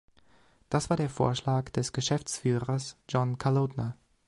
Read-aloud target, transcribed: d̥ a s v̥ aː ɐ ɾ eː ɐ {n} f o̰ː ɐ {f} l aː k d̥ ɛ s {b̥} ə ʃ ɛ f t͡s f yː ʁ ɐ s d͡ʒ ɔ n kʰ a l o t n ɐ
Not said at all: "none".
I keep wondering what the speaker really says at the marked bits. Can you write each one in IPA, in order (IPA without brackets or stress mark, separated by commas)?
none, ʃ, ɡ̥